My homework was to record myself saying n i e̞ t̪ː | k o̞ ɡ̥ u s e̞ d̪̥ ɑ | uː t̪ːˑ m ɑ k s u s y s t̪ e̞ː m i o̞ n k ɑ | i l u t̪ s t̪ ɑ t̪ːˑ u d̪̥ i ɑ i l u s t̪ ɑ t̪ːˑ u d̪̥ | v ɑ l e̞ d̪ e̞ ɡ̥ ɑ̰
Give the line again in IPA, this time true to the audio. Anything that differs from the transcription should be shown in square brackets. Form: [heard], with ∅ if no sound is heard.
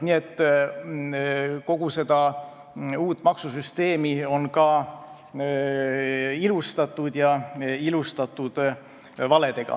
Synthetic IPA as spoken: n i e̞ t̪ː | k o̞ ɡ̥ u s e̞ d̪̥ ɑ | uː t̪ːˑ m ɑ k s u s y s t̪ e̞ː m i o̞ n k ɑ | i l u [∅] s t̪ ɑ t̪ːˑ u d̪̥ [j] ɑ i l u s t̪ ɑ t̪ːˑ u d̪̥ | v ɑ l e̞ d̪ e̞ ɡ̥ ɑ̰